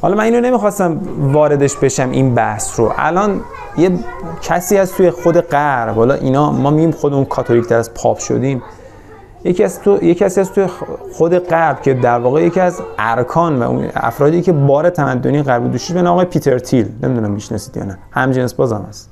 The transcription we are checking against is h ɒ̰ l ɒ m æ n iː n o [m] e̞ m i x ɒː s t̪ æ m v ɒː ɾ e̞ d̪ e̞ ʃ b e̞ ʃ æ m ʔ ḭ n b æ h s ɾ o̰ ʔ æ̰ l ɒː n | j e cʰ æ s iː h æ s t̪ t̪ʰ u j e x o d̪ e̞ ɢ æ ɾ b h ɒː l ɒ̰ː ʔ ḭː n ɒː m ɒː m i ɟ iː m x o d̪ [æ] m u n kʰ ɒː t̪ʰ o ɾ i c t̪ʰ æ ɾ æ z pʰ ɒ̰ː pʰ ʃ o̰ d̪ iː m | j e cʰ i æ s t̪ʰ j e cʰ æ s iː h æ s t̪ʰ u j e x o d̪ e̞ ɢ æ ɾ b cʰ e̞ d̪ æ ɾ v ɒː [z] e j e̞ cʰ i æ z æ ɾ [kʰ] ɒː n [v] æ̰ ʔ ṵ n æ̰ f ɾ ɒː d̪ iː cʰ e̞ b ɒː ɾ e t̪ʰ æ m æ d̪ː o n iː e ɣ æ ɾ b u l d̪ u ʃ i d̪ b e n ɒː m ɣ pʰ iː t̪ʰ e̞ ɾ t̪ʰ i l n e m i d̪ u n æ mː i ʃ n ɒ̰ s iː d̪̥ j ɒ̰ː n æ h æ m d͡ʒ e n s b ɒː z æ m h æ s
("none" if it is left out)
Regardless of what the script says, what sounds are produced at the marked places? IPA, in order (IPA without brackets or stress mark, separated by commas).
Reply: n, e, ɣ, kʰ, v